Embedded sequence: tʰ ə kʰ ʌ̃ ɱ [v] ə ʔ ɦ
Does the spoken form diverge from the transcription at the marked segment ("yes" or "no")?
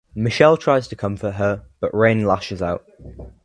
yes